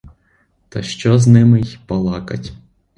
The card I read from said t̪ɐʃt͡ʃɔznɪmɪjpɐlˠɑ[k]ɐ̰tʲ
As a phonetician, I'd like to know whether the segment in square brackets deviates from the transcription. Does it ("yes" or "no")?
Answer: no